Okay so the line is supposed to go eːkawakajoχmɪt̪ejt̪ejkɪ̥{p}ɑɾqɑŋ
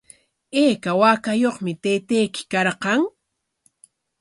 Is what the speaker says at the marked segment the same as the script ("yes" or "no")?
no